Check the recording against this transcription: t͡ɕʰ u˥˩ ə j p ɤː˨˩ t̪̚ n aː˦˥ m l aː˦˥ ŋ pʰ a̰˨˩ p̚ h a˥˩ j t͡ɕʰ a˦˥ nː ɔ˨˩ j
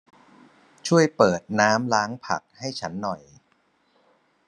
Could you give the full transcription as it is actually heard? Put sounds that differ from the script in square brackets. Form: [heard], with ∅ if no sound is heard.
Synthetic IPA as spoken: t͡ɕʰ u˥˩ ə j p ɤː˨˩ t̪̚ n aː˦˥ m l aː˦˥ ŋ pʰ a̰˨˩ [k̚] h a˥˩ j t͡ɕʰ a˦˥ nː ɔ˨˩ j